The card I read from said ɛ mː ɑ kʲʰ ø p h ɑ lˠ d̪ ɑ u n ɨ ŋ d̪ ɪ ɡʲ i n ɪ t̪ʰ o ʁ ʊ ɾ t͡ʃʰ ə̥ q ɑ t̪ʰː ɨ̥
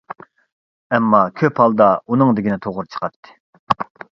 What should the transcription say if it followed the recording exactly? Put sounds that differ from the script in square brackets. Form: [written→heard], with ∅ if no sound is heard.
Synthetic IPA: ɛ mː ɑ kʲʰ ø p h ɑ lˠ d̪ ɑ u n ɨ ŋ d̪ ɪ ɡʲ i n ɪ t̪ʰ o ʁ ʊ ɾ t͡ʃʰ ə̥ q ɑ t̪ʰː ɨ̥